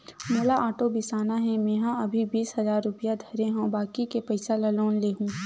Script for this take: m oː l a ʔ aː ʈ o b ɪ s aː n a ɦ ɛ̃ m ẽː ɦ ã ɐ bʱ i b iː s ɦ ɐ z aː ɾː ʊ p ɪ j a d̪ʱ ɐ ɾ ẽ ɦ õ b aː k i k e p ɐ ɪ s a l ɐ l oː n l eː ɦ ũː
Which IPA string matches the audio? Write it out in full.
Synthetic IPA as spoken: m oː l a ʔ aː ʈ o b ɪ s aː n a ɦ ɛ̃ m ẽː ɦ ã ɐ bʱ i b iː s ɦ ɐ z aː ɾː ʊ p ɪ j a d̪ʱ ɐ ɾ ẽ ɦ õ b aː k i k e p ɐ ɪ s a l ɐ l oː n l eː ɦ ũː